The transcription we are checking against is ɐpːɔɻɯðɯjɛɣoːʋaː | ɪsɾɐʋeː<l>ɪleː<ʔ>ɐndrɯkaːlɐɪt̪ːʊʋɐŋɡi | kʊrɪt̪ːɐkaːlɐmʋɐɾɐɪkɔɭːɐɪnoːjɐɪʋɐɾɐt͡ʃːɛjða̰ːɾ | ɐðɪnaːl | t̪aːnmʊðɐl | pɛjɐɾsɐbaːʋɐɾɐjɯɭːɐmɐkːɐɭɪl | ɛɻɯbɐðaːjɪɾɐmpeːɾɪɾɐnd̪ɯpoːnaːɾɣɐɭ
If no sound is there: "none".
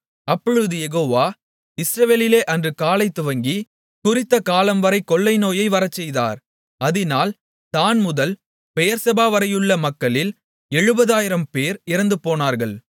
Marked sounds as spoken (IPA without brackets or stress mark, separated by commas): l, ʔ